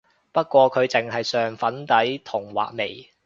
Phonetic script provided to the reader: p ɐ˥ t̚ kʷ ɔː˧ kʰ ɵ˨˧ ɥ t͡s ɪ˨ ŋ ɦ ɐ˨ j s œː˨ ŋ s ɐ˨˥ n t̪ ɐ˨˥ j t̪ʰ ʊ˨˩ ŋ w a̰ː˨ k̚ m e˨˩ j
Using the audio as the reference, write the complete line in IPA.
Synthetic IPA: p ɐ˥ t̚ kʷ ɔː˧ kʰ ɵ˨˧ ɥ t͡s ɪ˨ ŋ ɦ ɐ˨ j s œː˨ ŋ f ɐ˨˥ n t̪ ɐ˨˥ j t̪ʰ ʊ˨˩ ŋ w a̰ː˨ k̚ m e˨˩ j